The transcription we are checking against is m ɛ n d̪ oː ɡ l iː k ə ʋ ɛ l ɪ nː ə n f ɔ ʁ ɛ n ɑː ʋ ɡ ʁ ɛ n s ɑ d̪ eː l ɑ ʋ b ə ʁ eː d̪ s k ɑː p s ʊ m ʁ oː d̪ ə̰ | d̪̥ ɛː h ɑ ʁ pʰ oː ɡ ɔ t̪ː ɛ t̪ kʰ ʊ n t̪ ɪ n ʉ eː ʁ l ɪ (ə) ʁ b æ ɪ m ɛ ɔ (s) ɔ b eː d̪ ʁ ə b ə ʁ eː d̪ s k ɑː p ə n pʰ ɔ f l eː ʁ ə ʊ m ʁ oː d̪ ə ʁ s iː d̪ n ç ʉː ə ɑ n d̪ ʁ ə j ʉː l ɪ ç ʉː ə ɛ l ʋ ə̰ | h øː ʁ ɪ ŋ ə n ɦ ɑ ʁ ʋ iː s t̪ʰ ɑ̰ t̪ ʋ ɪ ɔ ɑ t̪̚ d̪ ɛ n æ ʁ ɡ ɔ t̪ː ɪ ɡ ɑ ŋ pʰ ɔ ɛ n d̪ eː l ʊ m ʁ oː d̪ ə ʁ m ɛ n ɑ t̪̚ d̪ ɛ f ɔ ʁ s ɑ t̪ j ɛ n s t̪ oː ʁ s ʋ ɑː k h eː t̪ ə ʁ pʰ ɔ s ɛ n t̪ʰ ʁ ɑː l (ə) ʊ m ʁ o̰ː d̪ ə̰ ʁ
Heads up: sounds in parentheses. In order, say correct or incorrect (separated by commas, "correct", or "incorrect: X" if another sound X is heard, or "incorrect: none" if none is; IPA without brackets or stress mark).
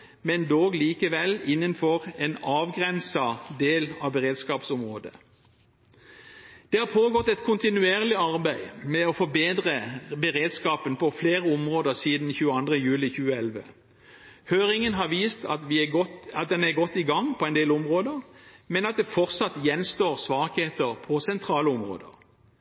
incorrect: ɑ, incorrect: f, correct